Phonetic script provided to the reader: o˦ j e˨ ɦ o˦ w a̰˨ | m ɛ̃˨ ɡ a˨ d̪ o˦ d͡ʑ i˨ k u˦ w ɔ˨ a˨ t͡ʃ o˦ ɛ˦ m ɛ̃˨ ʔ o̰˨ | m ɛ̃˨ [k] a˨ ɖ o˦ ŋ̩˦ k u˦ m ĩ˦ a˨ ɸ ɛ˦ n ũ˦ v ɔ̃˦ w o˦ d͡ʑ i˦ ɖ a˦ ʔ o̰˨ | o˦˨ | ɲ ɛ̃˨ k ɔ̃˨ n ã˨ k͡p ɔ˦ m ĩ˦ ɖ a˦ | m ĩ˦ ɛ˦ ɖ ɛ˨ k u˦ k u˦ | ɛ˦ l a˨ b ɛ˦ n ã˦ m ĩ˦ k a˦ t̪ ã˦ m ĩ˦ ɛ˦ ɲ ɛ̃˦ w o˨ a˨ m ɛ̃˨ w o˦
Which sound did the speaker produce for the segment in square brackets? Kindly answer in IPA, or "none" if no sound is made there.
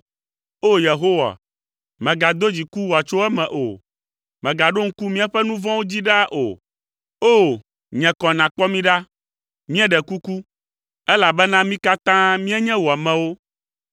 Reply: ɡ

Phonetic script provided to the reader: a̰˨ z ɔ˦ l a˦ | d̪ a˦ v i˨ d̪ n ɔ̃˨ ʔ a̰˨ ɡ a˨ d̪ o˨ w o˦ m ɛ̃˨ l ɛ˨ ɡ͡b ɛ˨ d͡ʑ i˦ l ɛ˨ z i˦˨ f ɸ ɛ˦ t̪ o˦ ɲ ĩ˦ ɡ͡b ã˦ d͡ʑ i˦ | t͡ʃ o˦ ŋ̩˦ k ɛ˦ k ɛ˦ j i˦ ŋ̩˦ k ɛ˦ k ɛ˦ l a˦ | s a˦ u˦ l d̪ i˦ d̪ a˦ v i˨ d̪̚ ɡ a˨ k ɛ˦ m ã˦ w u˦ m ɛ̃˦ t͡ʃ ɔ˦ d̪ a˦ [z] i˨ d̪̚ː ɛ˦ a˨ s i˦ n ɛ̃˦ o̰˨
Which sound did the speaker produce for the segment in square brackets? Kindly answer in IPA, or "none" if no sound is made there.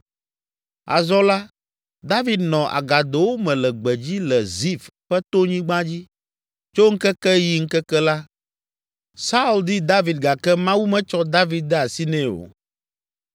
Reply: v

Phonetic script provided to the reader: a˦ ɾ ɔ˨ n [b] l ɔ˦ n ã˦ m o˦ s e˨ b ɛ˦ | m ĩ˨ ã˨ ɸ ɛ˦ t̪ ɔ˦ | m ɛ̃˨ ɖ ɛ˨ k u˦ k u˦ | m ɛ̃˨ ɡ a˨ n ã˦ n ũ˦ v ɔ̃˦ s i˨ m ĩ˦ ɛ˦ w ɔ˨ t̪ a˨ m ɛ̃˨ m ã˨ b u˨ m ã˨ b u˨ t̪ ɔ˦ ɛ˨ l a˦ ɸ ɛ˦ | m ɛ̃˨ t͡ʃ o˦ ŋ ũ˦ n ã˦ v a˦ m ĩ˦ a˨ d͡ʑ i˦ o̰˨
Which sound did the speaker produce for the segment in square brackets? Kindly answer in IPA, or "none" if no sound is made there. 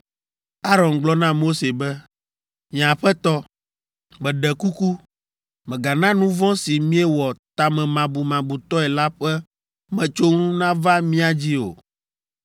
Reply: ɡ͡b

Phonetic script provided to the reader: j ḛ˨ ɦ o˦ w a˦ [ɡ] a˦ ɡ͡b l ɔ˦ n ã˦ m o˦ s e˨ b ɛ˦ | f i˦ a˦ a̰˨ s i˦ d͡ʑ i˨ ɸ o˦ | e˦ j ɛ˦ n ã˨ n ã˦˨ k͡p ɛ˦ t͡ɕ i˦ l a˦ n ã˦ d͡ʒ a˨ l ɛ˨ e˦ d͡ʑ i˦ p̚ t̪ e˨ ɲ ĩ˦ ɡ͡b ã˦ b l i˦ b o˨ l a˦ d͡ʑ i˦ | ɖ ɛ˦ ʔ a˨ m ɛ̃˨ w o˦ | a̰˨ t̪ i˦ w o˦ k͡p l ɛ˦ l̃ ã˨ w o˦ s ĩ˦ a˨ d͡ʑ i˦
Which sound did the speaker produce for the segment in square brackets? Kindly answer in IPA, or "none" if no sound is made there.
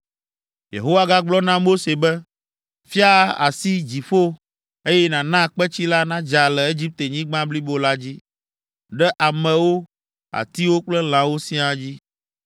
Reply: ɡ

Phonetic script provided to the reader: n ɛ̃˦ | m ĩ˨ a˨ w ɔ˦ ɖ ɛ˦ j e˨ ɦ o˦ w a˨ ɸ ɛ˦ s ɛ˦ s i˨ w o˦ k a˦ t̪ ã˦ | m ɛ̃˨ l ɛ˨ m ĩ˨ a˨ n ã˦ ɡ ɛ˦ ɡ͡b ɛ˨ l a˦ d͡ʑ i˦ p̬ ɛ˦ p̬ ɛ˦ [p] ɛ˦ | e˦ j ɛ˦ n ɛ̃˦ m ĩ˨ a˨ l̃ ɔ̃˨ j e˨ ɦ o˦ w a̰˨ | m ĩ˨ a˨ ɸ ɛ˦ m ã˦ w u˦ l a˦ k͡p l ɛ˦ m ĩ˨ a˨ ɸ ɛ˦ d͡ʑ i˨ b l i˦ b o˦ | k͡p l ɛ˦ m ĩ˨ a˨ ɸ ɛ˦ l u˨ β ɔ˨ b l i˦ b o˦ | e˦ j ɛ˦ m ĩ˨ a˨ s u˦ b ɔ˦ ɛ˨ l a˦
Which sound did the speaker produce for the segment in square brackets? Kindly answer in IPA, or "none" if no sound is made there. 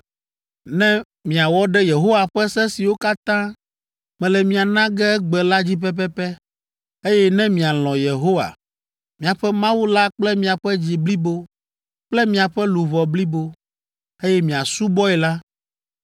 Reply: p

